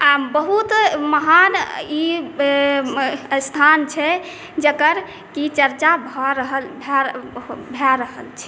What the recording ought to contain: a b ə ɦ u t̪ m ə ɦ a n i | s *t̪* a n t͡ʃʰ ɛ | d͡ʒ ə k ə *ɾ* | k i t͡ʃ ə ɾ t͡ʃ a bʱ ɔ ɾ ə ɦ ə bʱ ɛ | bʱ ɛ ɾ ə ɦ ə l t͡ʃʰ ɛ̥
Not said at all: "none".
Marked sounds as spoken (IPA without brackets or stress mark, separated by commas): t̪ʰ, ɾ